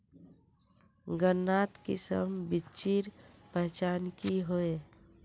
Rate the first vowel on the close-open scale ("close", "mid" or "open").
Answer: mid